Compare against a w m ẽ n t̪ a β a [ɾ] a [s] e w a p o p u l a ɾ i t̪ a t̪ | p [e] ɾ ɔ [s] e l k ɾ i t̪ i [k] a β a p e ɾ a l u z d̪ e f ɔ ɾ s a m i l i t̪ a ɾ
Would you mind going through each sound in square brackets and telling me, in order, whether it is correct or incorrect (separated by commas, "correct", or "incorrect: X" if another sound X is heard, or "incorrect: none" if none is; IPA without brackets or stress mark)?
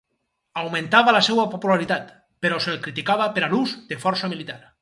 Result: incorrect: l, correct, correct, correct, correct